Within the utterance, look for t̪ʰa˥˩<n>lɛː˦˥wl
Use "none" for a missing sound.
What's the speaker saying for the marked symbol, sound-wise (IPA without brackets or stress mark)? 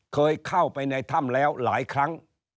m